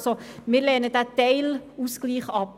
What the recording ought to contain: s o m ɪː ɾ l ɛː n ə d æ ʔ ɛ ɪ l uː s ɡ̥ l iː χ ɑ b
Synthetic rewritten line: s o m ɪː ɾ l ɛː n ə d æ t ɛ ɪ l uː s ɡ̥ l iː χ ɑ p